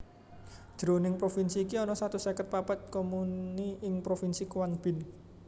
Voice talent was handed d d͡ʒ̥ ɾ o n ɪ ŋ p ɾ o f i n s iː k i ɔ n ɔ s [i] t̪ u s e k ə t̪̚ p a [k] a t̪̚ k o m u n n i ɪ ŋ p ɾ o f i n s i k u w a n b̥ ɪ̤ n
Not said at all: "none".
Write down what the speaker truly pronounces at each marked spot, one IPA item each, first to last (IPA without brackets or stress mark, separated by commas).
a, p